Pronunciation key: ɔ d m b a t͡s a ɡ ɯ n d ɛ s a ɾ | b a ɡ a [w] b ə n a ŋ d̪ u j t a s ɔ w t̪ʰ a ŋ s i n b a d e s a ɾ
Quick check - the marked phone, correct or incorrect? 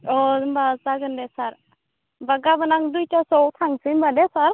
incorrect: none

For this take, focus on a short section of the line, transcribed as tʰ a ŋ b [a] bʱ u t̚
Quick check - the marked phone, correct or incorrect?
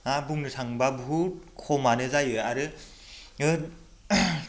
correct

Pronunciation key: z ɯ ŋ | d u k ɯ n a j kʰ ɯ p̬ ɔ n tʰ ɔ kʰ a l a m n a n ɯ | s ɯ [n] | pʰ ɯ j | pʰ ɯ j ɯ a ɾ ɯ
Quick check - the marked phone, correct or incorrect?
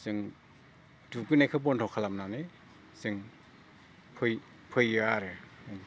incorrect: ŋ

